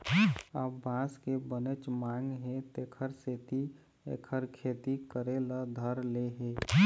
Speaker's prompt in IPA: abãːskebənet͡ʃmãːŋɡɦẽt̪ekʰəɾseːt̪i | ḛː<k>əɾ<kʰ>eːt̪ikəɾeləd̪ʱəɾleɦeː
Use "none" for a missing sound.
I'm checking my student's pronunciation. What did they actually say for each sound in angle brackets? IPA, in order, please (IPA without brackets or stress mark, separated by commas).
kʰ, kʰ